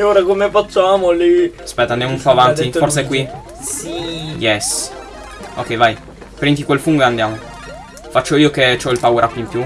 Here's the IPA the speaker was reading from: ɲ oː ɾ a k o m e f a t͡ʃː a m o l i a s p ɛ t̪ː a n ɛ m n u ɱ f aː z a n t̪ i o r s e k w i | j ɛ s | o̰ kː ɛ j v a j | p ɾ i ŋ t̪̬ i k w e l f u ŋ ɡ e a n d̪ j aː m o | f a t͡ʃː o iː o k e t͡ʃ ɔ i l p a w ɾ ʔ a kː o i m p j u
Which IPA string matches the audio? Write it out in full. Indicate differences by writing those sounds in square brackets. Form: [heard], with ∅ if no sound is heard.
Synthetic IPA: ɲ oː ɾ a k o m e f a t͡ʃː a m o l i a s p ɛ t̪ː a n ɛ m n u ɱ f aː [v] a n t̪ i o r s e k w i | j ɛ s | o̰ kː ɛ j v a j | p ɾ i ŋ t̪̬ i k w e l f u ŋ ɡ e a n d̪ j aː m o | f a t͡ʃː o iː o k e t͡ʃ ɔ i l p a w ɾ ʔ a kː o i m p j u